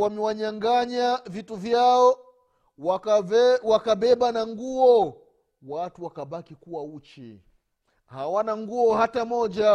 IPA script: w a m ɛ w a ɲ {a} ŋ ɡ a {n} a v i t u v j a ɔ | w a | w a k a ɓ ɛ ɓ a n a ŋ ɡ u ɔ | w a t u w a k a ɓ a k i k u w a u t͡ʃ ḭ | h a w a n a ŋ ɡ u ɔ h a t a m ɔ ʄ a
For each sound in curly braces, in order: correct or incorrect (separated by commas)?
correct, incorrect